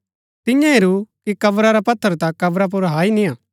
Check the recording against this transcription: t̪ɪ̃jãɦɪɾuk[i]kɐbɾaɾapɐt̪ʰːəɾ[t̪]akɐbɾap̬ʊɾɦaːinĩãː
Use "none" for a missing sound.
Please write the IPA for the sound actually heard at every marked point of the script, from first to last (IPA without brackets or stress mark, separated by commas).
i, t̪